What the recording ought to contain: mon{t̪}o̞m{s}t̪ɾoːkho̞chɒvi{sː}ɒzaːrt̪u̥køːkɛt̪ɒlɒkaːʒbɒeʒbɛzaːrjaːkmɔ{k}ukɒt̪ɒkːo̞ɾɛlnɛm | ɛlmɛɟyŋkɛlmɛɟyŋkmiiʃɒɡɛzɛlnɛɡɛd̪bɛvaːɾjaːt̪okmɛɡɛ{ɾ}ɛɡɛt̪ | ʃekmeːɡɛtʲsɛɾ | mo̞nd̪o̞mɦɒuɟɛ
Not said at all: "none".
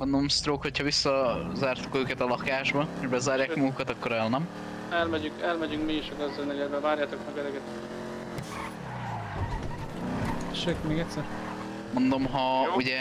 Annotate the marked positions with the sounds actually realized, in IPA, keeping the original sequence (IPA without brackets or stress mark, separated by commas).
d̪, s, sː, ɡ, ɾ